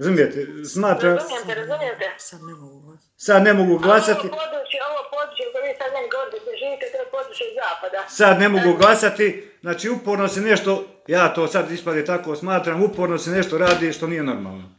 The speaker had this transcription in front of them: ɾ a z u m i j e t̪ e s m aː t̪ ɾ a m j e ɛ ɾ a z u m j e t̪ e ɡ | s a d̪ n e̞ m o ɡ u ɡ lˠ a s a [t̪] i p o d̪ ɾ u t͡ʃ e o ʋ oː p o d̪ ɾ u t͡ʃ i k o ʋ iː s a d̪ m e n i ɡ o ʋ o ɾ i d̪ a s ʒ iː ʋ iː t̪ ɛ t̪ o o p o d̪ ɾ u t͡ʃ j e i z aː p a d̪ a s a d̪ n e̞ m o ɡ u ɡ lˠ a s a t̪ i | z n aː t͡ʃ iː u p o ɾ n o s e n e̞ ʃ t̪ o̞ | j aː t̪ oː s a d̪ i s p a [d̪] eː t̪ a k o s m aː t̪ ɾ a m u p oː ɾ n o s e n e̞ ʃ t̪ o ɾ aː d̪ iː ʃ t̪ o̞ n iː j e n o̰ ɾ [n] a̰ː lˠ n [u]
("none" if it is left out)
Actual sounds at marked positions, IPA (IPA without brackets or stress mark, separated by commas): t̪, d̪, m, o